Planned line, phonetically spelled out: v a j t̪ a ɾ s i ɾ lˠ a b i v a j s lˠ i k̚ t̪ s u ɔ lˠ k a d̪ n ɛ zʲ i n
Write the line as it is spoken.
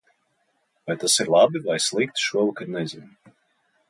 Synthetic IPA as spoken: v a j t̪ a s i ɾ lˠ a b i v a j s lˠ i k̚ t̪ ʃ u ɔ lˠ k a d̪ n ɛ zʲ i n